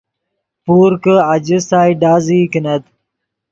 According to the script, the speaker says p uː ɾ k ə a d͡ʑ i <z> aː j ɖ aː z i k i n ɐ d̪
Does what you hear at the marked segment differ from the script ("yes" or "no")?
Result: yes